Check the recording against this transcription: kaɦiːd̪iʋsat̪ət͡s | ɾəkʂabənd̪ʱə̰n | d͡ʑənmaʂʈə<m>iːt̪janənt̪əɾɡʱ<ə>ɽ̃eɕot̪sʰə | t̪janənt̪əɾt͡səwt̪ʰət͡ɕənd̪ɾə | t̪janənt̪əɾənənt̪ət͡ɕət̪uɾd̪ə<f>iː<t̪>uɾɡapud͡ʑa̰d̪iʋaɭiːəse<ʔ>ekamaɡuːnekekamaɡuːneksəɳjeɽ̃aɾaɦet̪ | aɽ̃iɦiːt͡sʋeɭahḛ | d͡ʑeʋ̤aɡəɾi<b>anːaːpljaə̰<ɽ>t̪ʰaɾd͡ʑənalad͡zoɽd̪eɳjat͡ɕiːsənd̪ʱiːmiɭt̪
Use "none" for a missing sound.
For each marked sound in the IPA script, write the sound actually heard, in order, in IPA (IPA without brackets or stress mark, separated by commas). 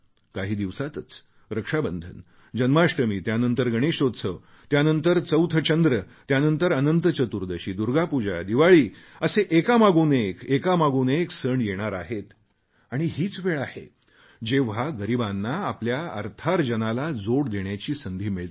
m, ə, ɕ, d̪, ʔ, b, ɾ